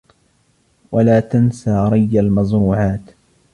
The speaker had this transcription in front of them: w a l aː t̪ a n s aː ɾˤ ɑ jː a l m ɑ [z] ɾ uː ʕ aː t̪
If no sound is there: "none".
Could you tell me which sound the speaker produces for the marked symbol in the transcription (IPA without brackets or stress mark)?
z